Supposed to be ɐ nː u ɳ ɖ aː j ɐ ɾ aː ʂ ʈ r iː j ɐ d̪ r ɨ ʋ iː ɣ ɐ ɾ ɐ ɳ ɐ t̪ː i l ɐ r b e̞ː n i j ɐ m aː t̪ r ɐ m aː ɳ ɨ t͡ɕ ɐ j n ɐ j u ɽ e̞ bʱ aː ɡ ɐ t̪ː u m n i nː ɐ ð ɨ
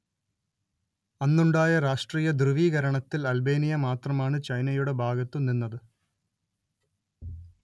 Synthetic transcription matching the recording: ɐ nː u ɳ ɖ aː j ɐ ɾ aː ʂ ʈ r iː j ɐ d̪ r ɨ ʋ iː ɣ ɐ ɾ ɐ ɳ ɐ t̪ː i l ɐ l b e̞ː n i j ɐ m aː t̪ r ɐ m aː ɳ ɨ t͡ɕ ɐ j n ɐ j u ɽ e̞ bʱ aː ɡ ɐ t̪ː u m n i nː ɐ ð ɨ